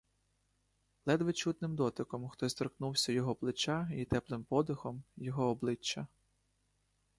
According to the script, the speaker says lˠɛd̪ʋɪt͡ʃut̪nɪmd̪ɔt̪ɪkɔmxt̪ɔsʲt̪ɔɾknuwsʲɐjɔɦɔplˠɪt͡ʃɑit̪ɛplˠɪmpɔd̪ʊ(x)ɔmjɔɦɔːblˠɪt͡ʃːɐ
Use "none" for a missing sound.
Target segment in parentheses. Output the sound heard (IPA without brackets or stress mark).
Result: x